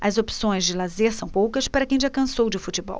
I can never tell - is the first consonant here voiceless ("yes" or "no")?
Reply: no